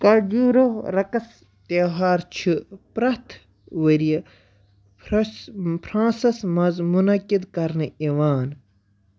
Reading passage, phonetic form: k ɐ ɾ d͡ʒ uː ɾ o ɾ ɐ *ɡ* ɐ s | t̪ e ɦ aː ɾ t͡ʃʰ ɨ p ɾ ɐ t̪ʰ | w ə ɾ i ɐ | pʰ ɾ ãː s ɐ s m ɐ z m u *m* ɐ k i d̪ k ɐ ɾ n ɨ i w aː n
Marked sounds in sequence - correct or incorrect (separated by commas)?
incorrect, incorrect